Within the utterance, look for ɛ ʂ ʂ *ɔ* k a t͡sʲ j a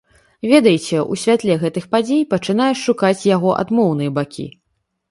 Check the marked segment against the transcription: incorrect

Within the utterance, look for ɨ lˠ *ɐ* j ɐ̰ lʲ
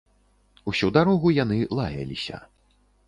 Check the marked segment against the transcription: incorrect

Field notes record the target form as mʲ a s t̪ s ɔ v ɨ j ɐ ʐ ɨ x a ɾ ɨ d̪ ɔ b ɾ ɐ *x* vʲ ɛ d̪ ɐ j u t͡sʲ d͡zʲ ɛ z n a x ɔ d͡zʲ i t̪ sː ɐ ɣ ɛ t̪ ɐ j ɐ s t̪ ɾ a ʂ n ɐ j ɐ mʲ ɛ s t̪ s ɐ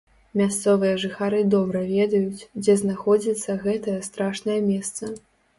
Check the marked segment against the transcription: incorrect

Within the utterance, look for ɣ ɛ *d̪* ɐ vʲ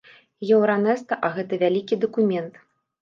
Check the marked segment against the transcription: incorrect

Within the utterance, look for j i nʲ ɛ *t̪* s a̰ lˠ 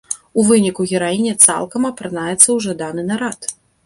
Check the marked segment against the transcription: correct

